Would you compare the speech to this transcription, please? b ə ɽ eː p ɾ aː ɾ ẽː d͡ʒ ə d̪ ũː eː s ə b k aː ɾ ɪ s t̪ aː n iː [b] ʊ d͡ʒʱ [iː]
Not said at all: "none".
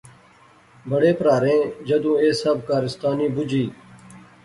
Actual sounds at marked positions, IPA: b, iː

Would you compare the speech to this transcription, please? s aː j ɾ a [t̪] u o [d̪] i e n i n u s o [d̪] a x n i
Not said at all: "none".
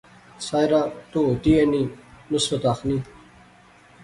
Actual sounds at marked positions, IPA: t̪, t̪, t̪

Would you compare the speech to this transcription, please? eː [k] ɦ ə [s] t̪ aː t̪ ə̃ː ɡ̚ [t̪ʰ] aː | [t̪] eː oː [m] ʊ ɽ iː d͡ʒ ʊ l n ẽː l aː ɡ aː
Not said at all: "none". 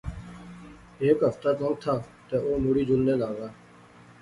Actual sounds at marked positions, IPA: k, f, t̪ʰ, t̪, m

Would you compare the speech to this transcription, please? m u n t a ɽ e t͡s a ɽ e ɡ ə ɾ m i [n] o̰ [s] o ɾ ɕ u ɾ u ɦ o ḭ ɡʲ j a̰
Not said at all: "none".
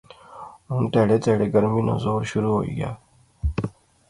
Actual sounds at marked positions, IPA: n, z

